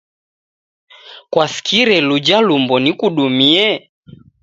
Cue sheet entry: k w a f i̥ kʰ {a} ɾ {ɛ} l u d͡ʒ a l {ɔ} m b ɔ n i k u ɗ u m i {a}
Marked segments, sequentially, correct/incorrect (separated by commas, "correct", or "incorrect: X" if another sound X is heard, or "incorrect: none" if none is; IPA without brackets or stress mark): incorrect: i, correct, incorrect: u, incorrect: ɛ